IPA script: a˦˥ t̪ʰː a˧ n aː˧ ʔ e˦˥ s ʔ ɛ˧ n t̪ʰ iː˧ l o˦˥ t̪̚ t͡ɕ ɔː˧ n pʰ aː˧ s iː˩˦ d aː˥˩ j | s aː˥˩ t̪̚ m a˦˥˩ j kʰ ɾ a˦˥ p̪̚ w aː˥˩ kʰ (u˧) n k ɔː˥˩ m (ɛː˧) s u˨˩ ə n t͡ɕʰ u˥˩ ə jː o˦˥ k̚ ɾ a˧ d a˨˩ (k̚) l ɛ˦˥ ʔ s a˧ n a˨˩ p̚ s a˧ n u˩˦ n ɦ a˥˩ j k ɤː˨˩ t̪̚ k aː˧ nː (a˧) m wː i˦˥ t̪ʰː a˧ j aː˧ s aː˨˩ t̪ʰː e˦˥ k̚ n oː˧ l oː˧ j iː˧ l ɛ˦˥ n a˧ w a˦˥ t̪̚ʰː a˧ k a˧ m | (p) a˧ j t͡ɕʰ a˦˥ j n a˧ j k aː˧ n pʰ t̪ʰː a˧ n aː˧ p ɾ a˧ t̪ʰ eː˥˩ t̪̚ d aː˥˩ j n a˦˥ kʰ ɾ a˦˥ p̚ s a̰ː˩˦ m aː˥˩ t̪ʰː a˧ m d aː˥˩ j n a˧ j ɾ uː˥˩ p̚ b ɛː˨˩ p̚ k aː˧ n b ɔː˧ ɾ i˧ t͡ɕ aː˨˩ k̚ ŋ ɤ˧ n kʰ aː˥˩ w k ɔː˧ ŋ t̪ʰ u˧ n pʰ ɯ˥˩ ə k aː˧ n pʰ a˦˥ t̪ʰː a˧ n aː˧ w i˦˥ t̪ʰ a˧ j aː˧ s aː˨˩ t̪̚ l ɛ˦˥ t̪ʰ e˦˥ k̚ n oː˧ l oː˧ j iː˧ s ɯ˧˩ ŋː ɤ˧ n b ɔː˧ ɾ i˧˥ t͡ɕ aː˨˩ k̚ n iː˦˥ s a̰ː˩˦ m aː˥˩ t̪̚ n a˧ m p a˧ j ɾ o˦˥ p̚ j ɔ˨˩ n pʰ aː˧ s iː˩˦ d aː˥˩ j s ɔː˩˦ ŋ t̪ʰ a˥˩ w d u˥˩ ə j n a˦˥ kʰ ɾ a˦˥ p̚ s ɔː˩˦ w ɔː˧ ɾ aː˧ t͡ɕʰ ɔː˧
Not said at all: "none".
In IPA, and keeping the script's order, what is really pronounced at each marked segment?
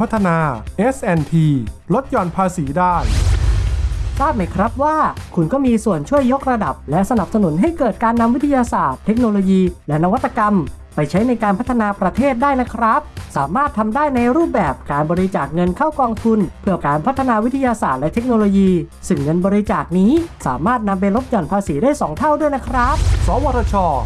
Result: u˧, iː˧, p̚, a˧, p

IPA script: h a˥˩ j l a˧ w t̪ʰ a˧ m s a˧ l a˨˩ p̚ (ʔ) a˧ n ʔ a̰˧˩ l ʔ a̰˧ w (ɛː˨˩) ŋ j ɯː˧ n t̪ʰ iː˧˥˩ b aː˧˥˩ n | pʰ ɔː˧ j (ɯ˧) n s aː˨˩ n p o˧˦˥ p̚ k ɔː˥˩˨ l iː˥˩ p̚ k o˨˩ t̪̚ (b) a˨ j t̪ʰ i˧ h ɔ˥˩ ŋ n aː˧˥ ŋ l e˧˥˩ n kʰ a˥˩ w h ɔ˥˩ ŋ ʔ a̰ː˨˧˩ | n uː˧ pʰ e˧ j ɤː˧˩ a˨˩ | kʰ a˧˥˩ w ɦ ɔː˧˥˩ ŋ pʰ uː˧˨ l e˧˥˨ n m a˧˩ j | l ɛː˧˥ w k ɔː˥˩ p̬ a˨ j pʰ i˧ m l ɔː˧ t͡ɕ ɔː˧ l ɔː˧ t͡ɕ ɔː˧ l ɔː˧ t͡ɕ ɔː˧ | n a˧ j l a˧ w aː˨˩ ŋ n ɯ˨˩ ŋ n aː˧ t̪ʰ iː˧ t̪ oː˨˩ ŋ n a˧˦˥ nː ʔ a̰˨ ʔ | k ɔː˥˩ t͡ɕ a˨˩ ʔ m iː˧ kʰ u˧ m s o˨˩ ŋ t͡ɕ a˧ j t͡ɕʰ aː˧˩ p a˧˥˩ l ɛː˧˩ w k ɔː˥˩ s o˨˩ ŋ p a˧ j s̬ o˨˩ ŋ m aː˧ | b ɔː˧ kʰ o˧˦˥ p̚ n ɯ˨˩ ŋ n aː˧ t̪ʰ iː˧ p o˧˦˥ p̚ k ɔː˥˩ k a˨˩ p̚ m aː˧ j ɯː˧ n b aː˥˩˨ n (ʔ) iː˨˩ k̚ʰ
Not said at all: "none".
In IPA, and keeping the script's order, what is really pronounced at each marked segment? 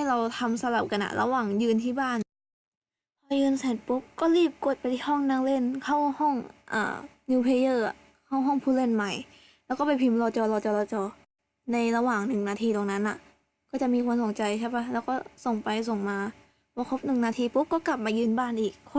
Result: k, aː˨˩, ɯː˧, p, ʔ

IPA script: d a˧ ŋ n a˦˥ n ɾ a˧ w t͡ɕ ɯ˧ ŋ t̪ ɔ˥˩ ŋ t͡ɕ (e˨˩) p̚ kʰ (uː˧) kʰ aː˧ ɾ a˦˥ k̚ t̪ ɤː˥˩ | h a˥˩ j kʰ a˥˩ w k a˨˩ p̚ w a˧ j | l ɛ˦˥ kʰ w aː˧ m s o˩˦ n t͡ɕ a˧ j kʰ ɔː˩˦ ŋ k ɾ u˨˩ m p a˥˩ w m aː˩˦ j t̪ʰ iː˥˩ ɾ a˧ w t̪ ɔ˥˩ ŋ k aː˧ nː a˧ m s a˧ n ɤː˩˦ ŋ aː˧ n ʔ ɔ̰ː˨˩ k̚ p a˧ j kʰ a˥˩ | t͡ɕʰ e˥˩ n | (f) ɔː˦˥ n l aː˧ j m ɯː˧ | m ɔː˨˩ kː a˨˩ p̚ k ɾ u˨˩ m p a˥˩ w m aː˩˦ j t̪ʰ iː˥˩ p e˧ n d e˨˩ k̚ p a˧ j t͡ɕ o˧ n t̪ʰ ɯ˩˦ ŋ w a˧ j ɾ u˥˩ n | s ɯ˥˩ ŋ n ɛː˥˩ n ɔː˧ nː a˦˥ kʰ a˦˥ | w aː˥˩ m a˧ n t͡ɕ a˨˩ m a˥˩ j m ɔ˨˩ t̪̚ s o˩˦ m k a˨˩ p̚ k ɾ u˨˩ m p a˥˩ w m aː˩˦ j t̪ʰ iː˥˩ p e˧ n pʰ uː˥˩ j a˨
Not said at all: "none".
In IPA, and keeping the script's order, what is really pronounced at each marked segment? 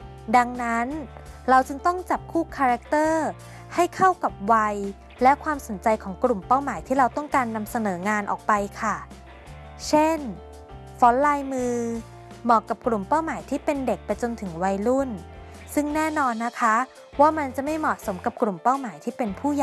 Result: a˨˩, uː˥˩, f

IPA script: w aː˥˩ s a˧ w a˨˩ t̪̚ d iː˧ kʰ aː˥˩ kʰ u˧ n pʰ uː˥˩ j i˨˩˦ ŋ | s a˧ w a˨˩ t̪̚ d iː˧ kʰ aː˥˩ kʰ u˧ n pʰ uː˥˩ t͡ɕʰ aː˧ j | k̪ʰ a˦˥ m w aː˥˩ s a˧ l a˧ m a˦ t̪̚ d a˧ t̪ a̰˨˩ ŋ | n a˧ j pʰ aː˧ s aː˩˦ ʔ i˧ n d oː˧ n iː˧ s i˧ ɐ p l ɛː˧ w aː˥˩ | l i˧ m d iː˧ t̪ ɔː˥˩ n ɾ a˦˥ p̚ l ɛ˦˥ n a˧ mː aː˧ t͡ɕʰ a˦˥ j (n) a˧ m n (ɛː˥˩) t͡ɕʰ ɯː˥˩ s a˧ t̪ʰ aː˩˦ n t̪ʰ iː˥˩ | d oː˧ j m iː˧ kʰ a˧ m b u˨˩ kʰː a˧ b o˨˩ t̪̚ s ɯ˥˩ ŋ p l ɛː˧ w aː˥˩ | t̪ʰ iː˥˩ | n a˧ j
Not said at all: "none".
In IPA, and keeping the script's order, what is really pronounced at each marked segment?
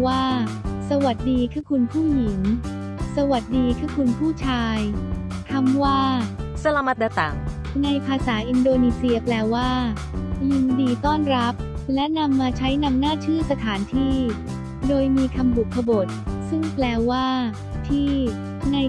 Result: n, aː˥˩

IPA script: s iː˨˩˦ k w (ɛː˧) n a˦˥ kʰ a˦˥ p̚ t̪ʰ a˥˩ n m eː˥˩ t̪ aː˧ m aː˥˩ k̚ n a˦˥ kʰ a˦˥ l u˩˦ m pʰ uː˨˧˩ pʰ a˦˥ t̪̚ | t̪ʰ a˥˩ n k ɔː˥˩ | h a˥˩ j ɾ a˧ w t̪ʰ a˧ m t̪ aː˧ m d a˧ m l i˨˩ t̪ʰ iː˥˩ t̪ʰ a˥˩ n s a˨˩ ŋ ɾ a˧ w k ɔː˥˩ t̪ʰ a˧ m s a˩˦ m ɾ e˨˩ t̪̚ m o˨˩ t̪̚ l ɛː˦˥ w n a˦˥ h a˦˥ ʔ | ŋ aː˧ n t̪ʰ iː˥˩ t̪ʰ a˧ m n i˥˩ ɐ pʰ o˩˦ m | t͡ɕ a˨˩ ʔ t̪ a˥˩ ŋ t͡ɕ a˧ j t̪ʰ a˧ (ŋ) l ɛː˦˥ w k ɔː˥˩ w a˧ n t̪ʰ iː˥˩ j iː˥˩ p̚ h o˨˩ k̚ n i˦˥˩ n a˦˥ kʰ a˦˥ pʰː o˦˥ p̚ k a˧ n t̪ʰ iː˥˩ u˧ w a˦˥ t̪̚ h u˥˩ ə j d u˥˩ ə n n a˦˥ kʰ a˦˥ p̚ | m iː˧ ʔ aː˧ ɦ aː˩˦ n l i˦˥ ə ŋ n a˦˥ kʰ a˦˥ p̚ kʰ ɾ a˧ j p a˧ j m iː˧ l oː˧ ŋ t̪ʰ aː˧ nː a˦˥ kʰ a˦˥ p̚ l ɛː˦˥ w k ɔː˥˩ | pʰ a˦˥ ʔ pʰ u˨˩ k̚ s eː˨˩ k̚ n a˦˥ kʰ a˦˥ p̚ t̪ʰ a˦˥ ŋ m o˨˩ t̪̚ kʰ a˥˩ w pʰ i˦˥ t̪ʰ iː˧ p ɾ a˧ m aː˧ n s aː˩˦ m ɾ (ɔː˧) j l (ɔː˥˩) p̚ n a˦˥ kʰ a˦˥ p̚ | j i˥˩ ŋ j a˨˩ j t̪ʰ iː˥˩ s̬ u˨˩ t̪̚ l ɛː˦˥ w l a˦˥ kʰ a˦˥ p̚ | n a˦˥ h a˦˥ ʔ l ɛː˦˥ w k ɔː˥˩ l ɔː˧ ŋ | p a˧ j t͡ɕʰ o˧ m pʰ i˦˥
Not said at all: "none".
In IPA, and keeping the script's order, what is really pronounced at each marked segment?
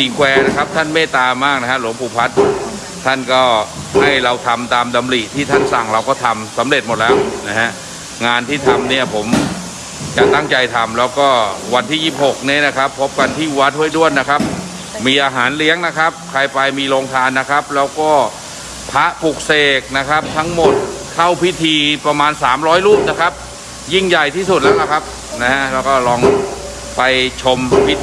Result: ɛː˧, m, ɔː˦˥, uː˥˩

